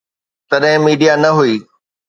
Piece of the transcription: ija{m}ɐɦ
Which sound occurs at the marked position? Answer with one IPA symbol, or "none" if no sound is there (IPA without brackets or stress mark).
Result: n